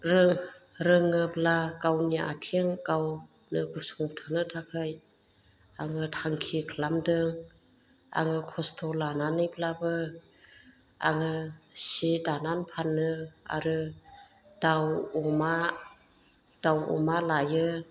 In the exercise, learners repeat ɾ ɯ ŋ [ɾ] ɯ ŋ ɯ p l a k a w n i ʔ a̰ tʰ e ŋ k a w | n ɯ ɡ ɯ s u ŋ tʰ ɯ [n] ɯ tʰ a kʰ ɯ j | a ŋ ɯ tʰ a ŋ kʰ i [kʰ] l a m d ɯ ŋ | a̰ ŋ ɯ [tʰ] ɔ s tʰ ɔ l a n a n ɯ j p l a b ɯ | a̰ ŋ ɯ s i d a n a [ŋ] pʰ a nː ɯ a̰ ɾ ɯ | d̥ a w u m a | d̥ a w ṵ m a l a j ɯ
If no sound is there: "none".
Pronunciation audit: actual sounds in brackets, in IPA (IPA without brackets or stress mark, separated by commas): ɾ, n, kʰ, kʰ, n